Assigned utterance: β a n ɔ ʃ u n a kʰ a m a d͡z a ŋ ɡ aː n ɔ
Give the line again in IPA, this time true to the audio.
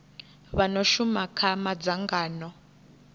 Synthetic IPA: β a n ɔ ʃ u m a kʰ a m a d͡z a ŋ ɡ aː n ɔ